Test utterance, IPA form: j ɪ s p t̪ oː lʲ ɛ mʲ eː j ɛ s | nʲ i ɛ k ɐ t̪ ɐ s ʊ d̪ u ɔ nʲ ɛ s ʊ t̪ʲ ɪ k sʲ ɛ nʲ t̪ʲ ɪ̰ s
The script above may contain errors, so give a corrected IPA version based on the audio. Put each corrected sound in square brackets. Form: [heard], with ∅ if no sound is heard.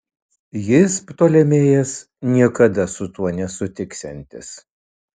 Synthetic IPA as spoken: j ɪ s p t̪ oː lʲ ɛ mʲ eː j ɛ s | nʲ i ɛ k ɐ [d̪] ɐ s ʊ [t̪] u ɔ nʲ ɛ s ʊ t̪ʲ ɪ k sʲ ɛ nʲ t̪ʲ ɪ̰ s